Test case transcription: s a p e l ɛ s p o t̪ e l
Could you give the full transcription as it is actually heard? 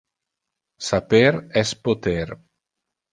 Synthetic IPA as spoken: s a p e ɾ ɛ s p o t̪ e ɾ